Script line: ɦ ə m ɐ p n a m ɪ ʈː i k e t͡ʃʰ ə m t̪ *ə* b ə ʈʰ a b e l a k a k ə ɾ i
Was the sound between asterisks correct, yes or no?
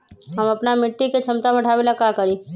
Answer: no